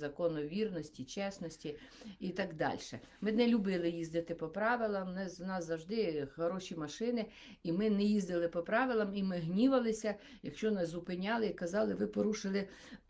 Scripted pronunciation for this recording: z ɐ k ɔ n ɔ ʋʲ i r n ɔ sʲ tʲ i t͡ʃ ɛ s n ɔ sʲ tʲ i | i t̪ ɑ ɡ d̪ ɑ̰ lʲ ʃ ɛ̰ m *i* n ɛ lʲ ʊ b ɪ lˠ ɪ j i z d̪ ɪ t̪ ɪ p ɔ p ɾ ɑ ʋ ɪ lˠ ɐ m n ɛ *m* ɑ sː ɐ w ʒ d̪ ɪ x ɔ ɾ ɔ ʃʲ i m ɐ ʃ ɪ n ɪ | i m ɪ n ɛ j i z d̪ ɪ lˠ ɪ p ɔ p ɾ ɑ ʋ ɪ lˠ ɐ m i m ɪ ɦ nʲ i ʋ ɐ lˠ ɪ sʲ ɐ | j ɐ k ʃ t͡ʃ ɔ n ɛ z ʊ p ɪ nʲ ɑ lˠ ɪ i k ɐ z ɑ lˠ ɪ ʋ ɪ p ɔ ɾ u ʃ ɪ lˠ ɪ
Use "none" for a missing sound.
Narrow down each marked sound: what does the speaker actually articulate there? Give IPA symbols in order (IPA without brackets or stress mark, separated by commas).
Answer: ɪ, n